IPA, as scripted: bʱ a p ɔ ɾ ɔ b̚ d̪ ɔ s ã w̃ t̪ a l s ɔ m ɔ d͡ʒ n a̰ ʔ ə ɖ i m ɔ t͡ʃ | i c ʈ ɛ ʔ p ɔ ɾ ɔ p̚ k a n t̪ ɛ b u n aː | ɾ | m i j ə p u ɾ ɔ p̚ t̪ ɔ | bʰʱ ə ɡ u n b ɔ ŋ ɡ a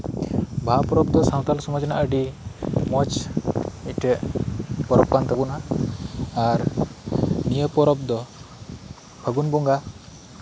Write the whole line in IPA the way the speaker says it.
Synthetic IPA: bʱ a p ɔ ɾ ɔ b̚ d̪ ɔ s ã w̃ t̪ a l s ɔ m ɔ d͡ʒ n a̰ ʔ ə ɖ i m ɔ t͡ʃ | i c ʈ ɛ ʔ p ɔ ɾ ɔ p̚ k a n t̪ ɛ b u n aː | ɾ | n i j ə p ɔ ɾ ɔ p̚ d̪ ɔ | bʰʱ ə ɡ u n b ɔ ŋ ɡ a

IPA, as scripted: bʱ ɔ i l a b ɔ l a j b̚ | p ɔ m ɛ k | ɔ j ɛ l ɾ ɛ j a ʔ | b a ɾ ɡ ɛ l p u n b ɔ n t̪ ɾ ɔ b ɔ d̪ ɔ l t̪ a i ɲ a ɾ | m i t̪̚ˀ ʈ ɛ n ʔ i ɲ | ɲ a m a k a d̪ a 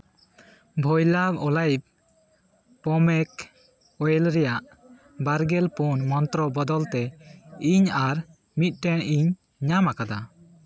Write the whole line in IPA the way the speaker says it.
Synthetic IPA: bʱ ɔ j l a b ɔ l a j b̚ | p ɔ m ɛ k | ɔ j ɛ l ɾ ɛ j a ʔ | b a ɾ ɡ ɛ l p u n m ɔ n t̪ ɾ ɔ b ɔ d̪ ɔ l t̪ ɛ i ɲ a ɾ | m i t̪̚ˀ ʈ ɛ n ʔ i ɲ | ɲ a m a k a d̪ a

